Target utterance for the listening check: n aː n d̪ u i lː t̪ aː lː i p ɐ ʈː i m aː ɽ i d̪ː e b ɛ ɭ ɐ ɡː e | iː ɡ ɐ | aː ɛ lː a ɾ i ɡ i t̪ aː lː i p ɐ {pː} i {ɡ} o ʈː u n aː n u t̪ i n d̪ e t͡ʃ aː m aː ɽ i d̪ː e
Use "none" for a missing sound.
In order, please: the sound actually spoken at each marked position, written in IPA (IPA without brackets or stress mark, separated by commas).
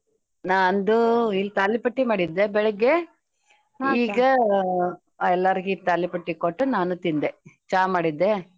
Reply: ʈː, k